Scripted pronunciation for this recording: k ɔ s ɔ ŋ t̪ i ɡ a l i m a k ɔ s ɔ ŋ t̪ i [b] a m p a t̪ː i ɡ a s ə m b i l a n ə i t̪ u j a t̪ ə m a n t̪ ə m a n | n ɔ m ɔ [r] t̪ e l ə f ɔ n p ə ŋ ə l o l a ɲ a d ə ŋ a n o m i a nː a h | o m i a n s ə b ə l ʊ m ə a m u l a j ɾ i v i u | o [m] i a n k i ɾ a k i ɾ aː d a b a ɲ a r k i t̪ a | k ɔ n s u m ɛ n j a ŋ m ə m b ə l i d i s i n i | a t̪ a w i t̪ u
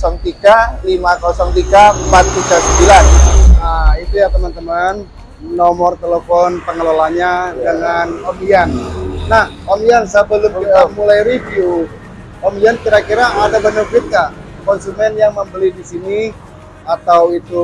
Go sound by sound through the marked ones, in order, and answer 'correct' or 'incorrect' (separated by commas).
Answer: incorrect, correct, correct